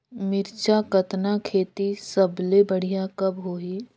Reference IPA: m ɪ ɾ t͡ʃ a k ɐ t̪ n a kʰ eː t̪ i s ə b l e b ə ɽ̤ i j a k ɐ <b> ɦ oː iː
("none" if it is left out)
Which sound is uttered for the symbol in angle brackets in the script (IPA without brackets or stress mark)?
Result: b